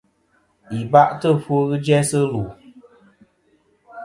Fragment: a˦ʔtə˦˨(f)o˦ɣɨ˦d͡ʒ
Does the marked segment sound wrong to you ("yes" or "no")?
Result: no